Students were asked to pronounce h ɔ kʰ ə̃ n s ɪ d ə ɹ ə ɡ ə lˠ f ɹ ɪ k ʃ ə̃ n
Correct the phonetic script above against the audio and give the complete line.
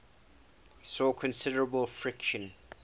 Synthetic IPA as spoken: s ɔ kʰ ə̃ n s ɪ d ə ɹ ə b ə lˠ f ɹ ɪ k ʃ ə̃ n

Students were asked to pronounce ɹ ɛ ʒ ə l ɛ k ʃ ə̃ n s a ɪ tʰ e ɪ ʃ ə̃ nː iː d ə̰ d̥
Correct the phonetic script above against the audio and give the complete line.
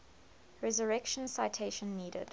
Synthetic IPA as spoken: ɹ ɛ z ə ɹ ɛ k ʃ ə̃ n s a ɪ tʰ e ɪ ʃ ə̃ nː iː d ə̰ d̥

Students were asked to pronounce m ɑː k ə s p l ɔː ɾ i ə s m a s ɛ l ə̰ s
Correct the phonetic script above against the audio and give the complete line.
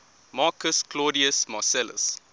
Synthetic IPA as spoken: m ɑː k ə s k l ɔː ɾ i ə s m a s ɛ l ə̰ s

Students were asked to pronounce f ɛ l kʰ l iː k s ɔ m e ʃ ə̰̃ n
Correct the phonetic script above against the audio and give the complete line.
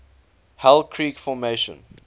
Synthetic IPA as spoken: h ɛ l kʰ ɹ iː k f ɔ m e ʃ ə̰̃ n

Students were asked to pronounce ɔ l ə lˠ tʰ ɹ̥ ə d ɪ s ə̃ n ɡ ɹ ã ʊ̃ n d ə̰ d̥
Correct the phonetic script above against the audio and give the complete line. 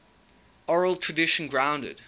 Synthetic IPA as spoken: ɔ ɹ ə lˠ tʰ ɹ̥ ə d ɪ ʃ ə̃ n ɡ ɹ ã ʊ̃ n d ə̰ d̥

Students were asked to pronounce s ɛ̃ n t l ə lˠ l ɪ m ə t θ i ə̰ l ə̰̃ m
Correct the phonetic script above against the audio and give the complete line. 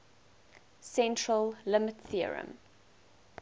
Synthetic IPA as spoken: s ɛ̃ n t ɹ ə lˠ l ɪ m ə t θ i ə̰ ɹ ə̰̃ m

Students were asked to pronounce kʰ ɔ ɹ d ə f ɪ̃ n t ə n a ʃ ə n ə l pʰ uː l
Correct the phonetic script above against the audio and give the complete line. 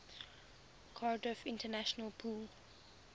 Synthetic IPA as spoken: kʰ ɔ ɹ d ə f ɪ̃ n t ə n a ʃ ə n ə l pʰ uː l

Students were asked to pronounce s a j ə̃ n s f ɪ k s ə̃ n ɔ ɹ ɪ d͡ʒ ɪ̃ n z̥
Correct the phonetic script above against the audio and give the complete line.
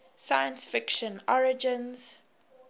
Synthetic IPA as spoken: s a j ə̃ n s f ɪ k ʃ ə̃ n ɔ ɹ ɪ d͡ʒ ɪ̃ n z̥

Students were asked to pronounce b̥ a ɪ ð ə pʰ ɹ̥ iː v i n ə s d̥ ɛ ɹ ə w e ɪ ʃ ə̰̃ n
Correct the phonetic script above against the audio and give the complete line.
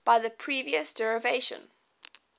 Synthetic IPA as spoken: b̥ a ɪ ð ə pʰ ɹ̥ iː v i ə s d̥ ɛ ɹ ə v e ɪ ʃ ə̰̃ n

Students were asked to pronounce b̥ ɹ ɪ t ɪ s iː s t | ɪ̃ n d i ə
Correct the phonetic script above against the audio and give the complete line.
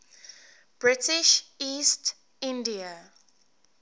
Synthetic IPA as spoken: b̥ ɹ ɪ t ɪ ʃ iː s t | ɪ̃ n d i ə

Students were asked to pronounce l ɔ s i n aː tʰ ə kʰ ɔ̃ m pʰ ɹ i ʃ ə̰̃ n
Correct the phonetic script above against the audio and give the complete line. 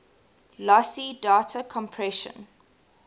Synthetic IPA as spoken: l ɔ s i d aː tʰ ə kʰ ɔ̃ m pʰ ɹ ɛ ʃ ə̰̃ n

